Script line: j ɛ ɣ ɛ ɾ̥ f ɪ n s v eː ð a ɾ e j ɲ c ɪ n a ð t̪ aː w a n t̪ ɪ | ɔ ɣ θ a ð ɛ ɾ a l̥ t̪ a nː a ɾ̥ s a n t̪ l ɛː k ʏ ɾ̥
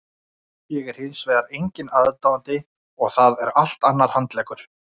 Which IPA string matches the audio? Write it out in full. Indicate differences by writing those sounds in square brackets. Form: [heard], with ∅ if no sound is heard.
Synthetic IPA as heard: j ɛ ɣ ɛ ɾ̥ [h] ɪ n s v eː ð a ɾ e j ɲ c ɪ n a ð t̪ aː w a n t̪ ɪ | ɔ ɣ θ a ð ɛ ɾ a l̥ t̪ a nː a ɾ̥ [h] a n t̪ l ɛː k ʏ ɾ̥